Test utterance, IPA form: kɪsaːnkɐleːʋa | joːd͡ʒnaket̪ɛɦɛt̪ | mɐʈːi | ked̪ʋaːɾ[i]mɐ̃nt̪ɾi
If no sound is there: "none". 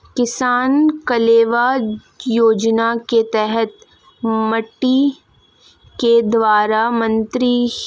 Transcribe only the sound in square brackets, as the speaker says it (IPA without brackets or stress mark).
a